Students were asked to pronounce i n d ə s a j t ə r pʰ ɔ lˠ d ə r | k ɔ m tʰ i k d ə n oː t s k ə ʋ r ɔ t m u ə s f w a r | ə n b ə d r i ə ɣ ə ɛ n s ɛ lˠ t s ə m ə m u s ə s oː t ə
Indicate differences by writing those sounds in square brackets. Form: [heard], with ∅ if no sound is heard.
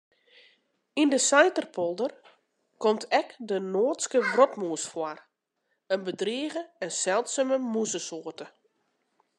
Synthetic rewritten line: i n d ə s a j t ə r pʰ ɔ lˠ d ə r | k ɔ m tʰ [ɛ] k d ə n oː t s k ə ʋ r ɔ t m u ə s f w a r | ə n b ə d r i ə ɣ ə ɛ n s ɛ lˠ t s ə m ə m u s ə s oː t ə